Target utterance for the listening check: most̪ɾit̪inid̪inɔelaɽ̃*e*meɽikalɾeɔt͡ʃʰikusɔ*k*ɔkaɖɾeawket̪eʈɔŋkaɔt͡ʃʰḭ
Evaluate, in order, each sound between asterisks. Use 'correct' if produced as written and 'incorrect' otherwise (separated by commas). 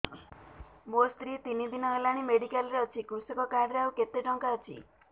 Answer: incorrect, correct